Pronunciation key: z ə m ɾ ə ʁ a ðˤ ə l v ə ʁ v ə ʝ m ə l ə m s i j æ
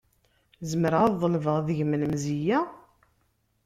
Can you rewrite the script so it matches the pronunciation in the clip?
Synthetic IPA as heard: z ə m ɾ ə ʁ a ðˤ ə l v ə ʁ ð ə ʝ m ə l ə m z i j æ